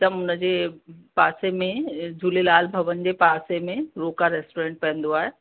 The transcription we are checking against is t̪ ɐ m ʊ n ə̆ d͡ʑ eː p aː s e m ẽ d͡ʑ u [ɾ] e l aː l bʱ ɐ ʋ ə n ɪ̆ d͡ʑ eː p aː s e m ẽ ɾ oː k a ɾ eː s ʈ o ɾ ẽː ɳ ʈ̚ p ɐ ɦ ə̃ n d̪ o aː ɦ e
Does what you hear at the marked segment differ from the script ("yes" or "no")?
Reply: yes